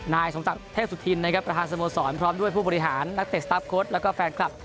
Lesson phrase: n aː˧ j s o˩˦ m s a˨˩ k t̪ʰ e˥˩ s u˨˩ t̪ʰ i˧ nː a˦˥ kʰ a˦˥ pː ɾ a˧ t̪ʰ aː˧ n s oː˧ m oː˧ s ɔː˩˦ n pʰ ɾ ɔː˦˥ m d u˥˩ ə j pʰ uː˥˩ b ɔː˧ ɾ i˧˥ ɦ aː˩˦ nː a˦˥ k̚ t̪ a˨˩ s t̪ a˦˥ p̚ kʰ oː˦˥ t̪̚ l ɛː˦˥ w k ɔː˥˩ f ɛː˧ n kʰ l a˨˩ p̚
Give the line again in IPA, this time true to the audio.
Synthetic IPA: n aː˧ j s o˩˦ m s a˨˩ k t̪ʰ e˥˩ s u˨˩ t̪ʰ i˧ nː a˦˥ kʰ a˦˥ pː ɾ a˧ t̪ʰ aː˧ n s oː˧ m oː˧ s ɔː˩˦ n pʰ ɾ ɔː˦˥ m d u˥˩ ə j pʰ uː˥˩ b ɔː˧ ɾ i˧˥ ɦ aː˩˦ nː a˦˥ k̚ t̪ e˨˩ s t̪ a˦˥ p̚ kʰ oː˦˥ t̪̚ l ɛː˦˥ w k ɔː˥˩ f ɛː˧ n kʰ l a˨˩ p̚